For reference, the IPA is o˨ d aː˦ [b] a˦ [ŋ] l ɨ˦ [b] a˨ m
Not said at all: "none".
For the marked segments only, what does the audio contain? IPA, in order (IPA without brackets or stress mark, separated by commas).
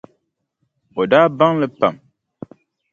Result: b, ŋ, p